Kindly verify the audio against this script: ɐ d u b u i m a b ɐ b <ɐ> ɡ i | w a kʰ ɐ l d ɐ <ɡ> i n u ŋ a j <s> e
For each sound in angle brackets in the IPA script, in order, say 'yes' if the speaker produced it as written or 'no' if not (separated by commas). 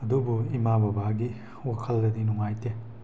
no, no, no